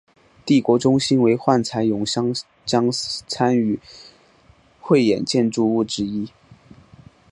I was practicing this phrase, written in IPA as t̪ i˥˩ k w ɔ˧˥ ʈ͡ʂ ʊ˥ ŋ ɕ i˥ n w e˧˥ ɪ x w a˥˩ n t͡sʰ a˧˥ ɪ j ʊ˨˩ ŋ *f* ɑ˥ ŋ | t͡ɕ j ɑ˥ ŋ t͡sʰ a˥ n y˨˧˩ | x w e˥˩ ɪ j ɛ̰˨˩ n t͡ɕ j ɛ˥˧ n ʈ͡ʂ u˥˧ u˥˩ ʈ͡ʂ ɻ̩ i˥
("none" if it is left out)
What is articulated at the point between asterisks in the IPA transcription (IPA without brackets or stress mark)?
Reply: ɕ